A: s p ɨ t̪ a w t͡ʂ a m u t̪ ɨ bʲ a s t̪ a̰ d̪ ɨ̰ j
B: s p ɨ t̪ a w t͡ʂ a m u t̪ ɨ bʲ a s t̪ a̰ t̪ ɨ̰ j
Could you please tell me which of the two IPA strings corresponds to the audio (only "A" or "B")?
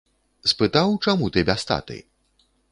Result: B